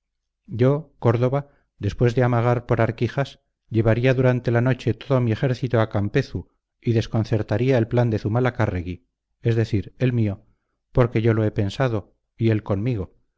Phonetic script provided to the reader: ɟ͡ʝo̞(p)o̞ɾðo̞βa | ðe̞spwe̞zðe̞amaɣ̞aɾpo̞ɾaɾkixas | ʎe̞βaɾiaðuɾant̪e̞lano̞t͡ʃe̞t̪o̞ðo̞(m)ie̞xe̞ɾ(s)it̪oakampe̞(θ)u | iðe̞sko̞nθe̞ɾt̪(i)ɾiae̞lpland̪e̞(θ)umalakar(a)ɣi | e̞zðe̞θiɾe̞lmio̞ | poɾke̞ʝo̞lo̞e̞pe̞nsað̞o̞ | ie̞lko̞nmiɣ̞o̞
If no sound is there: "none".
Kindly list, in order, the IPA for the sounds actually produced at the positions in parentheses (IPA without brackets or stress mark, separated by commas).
k, m, θ, θ, a, θ, e